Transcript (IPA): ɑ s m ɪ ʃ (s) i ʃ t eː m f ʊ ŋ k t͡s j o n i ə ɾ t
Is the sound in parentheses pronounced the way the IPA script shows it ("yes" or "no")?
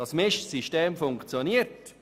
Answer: yes